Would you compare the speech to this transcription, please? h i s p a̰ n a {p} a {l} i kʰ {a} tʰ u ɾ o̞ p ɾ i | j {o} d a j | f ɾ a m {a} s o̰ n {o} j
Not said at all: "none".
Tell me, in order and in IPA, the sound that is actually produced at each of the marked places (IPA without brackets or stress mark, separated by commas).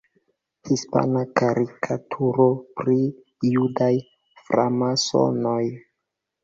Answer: k, ɾ, a, u, a, o